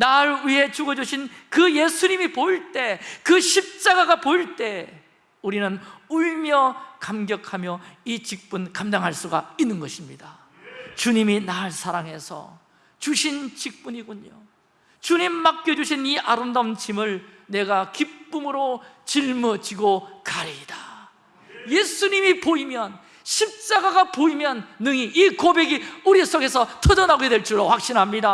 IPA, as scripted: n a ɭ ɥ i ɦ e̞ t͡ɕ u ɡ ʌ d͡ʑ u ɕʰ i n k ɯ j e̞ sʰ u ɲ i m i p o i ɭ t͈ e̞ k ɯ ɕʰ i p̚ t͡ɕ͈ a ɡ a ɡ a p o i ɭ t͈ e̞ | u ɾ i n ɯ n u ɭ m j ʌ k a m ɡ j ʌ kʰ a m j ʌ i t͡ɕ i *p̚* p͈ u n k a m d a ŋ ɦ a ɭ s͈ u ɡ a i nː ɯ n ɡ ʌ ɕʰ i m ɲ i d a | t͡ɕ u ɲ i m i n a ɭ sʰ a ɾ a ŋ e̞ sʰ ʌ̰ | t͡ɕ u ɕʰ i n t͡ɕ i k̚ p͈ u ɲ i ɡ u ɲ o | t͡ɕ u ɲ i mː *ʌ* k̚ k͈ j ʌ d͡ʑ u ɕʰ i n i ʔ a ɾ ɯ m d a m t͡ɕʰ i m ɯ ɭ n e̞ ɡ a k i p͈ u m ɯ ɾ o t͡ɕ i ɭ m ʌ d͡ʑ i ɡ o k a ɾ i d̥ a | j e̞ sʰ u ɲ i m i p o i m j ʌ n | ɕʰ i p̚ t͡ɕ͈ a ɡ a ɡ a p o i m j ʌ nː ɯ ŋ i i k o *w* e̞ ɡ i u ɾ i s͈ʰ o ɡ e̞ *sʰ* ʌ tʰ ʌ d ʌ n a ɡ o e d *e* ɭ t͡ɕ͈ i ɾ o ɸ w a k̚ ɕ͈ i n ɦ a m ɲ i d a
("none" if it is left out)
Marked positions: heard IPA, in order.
k̚, a, b, sʰ, e

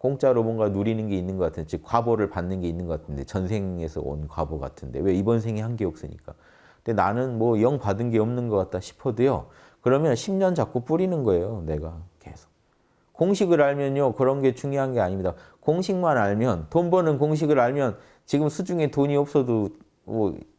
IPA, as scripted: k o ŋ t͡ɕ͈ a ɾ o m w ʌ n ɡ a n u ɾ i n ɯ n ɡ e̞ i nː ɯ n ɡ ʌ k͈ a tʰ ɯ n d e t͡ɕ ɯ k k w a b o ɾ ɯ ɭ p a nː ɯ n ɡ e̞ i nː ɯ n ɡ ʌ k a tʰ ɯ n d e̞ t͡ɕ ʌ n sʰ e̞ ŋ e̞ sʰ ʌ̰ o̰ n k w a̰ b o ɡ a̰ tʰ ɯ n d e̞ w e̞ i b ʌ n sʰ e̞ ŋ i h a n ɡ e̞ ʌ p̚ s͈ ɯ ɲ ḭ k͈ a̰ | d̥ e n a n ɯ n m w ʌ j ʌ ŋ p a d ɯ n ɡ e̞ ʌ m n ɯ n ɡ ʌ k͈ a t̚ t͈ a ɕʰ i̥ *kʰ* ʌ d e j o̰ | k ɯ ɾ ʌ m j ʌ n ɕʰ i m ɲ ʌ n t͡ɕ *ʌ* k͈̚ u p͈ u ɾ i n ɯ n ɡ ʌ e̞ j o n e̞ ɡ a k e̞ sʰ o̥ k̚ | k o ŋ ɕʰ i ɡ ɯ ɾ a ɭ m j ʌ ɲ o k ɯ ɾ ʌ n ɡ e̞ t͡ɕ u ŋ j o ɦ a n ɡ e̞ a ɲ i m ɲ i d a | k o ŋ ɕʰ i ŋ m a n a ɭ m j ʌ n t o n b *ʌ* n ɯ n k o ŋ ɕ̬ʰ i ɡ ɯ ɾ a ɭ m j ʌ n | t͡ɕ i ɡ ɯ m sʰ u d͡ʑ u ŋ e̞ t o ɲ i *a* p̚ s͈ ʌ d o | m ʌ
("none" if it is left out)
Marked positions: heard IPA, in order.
pʰ, a, ʌ, ʌ

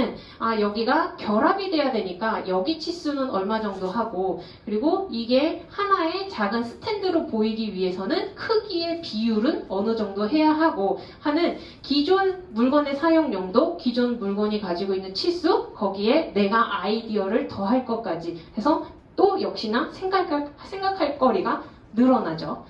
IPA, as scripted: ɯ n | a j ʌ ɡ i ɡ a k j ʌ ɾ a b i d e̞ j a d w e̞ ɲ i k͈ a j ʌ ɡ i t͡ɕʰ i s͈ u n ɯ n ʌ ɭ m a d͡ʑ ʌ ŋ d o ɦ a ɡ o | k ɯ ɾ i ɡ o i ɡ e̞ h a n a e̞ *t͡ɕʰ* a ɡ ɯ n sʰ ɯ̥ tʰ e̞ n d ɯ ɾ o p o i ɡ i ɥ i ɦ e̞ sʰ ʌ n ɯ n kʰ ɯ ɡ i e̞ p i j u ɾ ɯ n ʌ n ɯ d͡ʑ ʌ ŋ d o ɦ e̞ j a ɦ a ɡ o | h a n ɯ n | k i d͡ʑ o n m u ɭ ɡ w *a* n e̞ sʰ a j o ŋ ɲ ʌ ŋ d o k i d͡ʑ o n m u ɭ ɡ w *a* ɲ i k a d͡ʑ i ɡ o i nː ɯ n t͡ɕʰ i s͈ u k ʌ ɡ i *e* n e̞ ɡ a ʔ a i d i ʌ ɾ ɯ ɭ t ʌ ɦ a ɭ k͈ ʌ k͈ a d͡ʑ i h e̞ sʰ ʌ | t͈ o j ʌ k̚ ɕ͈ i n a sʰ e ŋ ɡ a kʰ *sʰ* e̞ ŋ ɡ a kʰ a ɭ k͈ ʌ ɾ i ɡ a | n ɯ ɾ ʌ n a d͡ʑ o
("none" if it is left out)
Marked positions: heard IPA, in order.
t͡ɕ, ʌ, ʌ, e, sʰ

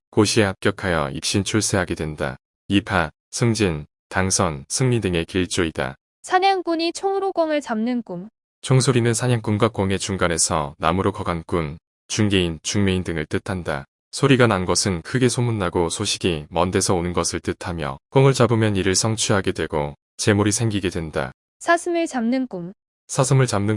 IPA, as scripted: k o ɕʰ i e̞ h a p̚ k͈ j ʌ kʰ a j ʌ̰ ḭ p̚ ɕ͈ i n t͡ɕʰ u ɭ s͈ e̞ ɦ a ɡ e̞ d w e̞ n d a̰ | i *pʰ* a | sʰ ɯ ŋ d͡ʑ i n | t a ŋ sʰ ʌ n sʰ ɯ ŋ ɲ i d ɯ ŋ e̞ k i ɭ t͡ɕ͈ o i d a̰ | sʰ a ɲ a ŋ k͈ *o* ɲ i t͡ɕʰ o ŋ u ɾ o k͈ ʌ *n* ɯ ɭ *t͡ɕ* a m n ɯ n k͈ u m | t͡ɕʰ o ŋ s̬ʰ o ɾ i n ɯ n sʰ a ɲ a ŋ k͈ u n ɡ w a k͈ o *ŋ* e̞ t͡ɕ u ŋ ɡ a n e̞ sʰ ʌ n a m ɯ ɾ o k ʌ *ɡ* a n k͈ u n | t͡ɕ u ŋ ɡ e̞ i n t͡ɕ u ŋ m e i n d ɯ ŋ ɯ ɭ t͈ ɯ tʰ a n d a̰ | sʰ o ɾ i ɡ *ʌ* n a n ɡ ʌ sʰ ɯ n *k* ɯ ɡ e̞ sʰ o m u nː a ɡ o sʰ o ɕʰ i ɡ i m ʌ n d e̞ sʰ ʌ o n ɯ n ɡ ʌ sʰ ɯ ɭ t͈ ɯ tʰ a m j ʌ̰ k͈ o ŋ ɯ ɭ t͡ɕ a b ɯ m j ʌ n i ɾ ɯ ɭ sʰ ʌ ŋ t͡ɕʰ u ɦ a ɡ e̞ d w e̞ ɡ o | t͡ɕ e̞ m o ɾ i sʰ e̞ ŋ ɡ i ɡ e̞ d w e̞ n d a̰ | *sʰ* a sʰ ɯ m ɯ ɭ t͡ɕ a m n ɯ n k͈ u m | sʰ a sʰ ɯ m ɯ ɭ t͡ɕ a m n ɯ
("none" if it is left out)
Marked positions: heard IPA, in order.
pʰ, u, ŋ, t͡ɕ, ŋ, ɡ, a, kʰ, sʰ

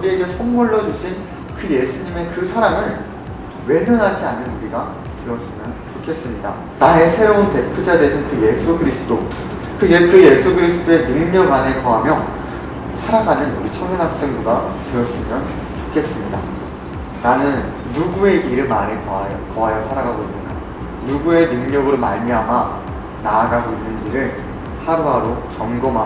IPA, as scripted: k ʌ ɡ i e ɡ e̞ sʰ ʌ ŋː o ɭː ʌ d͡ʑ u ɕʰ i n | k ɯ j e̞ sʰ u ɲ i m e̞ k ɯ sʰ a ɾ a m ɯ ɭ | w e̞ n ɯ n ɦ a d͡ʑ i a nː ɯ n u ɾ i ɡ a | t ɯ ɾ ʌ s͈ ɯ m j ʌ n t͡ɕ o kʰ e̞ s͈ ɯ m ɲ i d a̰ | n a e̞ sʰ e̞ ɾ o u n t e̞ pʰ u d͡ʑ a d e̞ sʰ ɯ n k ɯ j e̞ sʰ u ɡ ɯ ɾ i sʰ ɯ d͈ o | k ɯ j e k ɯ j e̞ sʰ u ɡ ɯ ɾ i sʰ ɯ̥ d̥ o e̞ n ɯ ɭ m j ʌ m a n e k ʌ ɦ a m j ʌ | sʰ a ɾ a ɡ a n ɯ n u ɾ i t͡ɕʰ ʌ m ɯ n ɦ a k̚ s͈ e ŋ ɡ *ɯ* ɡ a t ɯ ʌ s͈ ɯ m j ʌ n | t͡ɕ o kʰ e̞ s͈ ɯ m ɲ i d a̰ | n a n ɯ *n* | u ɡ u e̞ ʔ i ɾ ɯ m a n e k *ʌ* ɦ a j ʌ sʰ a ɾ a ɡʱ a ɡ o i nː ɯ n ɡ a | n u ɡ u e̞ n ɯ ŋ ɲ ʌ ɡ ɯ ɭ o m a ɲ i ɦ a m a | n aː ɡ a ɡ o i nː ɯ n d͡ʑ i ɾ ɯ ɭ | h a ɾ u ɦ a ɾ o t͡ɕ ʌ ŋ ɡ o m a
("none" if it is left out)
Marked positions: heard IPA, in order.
u, nː, ʌ

